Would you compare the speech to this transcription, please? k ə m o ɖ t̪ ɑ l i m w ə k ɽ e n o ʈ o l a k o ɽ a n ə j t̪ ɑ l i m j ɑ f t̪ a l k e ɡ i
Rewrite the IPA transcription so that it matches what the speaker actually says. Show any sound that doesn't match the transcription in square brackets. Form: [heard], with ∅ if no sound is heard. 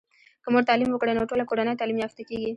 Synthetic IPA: k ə m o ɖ t̪ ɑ l i m w ə k ɽ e n o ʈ o l a k o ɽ a n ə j t̪ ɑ l i m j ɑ f t̪ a [∅] k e ɡ i